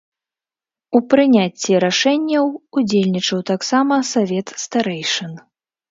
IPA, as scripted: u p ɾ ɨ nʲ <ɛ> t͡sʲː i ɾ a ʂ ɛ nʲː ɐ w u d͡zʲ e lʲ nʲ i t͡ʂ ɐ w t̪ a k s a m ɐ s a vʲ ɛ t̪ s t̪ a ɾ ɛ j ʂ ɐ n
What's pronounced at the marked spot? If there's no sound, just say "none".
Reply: a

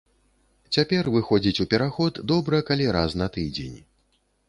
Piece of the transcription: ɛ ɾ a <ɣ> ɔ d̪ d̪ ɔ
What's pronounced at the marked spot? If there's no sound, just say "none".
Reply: x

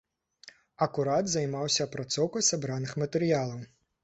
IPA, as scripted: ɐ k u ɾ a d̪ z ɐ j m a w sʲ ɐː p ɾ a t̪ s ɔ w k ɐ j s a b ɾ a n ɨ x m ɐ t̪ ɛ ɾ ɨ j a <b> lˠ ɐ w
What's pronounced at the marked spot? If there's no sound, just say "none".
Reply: none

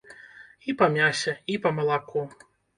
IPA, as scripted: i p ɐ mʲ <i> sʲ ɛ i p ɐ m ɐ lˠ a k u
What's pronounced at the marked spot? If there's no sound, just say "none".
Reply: a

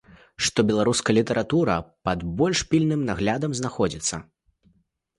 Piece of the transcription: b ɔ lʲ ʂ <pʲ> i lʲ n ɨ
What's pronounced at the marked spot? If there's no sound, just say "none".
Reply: pʲ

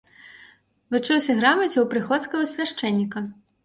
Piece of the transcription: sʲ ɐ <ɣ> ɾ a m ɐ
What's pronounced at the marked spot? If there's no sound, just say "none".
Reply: ɣ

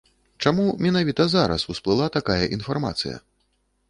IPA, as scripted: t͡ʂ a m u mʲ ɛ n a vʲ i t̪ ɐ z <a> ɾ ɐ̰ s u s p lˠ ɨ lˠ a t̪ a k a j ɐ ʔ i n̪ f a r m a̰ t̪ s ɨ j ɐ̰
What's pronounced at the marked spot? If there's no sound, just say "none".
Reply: a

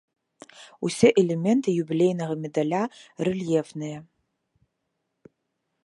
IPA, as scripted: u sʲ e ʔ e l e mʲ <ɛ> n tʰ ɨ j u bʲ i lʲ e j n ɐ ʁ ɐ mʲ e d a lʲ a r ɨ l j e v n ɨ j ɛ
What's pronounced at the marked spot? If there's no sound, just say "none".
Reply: e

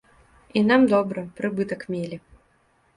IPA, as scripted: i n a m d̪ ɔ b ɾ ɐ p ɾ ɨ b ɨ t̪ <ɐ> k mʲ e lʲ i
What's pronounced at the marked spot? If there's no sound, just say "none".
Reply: ɐ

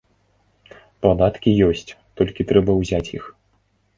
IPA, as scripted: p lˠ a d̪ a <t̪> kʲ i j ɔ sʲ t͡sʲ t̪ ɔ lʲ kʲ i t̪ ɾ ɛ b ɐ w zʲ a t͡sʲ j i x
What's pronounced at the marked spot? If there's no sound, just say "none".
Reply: t̪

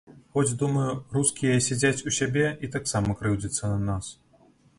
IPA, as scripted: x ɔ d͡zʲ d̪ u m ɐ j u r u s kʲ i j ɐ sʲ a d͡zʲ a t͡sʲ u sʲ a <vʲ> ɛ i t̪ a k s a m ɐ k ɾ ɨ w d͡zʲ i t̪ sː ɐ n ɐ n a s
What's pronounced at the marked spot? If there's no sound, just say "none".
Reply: bʲ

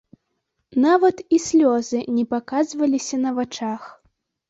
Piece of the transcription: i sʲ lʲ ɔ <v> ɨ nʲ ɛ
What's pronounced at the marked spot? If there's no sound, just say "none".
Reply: z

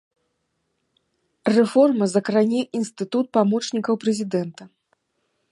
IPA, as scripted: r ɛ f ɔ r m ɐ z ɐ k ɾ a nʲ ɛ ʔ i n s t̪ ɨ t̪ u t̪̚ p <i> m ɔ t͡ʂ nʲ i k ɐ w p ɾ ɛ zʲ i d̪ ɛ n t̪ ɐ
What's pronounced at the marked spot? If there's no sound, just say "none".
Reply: a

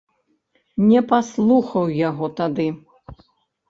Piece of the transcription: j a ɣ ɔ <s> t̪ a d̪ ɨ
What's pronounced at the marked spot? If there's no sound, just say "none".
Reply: none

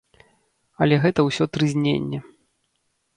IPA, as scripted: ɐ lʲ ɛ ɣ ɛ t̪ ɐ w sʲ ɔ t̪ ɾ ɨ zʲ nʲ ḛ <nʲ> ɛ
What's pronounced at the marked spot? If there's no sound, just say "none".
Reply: nʲː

